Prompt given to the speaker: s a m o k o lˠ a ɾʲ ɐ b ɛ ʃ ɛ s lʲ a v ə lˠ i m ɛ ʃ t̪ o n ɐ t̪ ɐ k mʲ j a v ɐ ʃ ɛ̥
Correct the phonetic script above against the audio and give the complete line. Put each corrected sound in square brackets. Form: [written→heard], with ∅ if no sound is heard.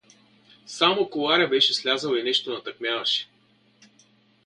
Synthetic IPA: s a m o k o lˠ a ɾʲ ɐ b ɛ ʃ ɛ s lʲ a [v→z] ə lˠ i [m→n] ɛ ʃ t̪ o n ɐ t̪ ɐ k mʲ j a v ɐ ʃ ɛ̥